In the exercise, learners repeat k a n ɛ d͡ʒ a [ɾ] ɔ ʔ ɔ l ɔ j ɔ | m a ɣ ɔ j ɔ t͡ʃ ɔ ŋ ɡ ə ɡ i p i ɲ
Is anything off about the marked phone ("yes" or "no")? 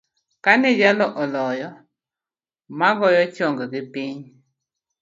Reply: yes